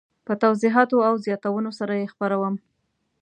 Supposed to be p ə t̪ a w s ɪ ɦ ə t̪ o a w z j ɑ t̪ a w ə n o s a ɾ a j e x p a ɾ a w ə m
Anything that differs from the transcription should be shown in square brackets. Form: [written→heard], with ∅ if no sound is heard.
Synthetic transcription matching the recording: p ə t̪ a w [s→z] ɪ ɦ [ə→ɑ] t̪ o a w z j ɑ t̪ a w ə n o s a ɾ a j e x p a ɾ a w ə m